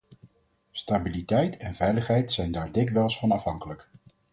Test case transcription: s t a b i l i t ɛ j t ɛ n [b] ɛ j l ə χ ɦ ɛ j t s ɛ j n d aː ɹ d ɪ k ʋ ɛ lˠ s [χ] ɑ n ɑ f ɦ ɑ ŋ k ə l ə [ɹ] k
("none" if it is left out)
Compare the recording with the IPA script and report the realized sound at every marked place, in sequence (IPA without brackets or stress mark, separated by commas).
v, f, none